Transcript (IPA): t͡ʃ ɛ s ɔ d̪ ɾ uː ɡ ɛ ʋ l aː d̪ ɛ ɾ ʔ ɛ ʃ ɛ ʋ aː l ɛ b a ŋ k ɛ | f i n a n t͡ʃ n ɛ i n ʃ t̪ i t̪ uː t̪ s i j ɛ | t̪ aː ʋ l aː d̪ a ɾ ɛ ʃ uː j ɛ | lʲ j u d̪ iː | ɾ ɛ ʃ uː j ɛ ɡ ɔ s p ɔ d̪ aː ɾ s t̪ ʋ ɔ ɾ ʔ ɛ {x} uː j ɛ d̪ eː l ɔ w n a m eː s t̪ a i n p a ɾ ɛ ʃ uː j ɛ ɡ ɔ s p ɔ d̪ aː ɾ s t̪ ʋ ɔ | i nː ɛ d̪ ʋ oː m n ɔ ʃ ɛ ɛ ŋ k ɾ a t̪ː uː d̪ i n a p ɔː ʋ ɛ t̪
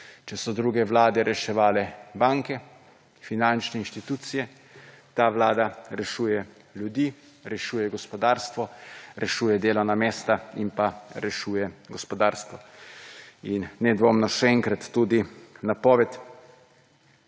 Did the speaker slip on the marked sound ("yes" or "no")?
yes